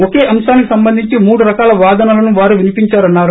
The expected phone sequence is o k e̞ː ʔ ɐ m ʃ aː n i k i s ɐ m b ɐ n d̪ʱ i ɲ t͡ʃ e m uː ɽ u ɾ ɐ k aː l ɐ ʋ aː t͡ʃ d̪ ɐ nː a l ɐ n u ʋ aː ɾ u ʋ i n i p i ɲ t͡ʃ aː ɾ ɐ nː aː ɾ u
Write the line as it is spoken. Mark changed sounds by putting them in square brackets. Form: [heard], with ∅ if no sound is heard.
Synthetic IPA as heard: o k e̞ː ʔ ɐ m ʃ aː n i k i s ɐ m b ɐ n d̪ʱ i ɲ t͡ʃ [i] m uː ɽ u ɾ ɐ k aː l ɐ ʋ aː [∅] d̪ ɐ [n] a l ɐ n u ʋ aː ɾ u ʋ i n i p i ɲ t͡ʃ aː ɾ ɐ nː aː ɾ u